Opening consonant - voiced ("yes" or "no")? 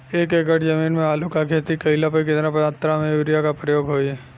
no